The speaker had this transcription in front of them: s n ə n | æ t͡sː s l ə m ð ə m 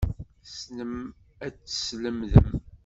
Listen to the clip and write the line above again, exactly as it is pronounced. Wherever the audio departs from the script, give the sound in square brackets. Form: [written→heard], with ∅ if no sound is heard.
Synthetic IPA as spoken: s n ə [n→m] | æ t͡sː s l ə m ð ə m